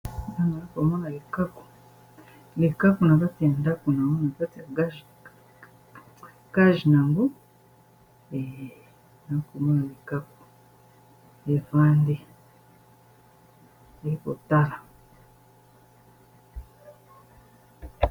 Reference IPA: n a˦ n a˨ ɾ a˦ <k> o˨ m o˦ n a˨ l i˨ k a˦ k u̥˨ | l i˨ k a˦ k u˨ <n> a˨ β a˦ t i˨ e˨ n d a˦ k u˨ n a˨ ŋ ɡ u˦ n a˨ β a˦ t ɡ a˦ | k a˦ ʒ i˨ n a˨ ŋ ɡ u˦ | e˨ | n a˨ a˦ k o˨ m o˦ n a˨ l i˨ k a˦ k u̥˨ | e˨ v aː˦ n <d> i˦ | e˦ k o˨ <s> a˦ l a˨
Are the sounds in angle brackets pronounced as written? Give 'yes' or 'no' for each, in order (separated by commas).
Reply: yes, yes, yes, no